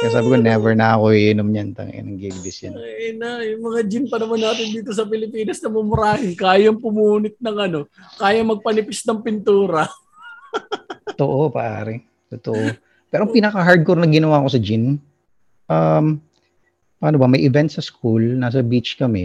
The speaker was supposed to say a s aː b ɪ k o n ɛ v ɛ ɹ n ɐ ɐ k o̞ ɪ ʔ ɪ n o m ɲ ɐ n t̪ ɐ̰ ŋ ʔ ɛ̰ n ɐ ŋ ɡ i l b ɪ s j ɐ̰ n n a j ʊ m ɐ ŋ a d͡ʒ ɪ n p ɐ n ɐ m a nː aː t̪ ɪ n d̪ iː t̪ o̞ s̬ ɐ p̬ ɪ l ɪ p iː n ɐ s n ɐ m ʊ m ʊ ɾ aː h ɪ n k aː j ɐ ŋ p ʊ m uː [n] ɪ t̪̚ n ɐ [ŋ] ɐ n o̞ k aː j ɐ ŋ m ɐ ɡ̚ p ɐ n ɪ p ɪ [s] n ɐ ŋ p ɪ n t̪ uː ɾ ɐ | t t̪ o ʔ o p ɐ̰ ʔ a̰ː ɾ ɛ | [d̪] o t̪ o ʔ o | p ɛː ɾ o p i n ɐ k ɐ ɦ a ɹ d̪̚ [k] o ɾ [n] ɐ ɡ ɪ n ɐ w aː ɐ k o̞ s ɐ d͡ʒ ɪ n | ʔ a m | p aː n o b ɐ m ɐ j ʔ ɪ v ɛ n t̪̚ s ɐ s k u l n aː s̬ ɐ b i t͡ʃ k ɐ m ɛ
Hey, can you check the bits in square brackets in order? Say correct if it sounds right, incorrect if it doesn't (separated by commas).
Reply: correct, correct, correct, incorrect, correct, correct